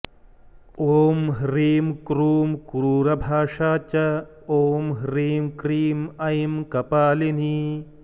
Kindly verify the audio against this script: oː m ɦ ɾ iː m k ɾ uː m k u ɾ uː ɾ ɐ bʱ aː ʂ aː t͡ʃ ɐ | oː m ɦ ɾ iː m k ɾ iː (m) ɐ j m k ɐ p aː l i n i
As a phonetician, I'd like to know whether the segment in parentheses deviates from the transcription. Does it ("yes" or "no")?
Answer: no